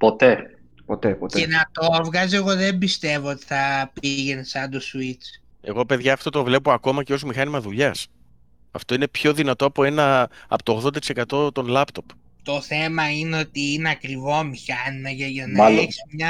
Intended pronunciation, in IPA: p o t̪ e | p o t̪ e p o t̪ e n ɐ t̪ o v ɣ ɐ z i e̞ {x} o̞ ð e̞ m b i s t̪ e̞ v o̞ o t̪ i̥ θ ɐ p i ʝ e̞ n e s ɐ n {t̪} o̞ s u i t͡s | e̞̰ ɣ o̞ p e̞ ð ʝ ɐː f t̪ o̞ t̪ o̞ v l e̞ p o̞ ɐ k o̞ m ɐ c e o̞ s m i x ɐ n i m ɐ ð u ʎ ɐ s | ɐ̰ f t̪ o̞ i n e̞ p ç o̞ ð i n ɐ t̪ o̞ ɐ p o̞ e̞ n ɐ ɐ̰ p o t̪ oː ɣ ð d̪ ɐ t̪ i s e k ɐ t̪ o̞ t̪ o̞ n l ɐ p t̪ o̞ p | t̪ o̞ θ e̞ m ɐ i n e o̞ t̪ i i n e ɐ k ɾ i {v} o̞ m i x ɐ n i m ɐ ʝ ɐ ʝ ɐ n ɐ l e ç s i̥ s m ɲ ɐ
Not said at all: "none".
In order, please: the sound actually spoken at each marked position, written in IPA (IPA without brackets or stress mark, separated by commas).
ɣ, d̪, v